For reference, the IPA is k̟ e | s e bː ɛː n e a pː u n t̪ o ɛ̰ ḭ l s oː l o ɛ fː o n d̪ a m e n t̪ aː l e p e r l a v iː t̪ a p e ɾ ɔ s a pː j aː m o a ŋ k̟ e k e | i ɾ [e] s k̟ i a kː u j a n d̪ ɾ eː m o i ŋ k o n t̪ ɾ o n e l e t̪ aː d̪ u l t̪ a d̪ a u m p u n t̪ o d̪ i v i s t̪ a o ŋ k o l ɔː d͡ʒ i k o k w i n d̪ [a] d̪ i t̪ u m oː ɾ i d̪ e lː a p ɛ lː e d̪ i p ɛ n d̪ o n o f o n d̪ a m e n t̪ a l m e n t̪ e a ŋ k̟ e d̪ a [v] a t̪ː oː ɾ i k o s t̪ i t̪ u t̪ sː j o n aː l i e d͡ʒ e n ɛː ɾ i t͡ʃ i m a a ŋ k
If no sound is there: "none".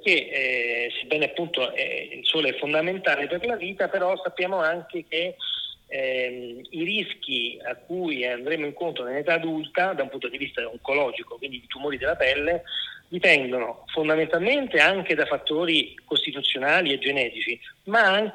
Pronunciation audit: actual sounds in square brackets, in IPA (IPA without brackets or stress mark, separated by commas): i, i, f